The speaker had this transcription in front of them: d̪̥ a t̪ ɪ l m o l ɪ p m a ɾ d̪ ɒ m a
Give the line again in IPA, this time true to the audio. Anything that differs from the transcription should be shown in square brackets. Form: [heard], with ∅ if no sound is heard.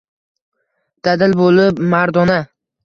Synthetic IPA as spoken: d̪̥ a [d̪] ɪ l [b] o l ɪ p m a ɾ d̪ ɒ [n] a